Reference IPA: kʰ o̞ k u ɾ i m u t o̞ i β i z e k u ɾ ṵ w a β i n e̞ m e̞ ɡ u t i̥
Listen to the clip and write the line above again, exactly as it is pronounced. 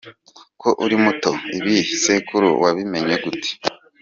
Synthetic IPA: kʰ o̞ ʔ u ɾ i m u t o̞ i β i s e k u ɾ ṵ w a β i m e̞ ɲ e̞ ɡ u t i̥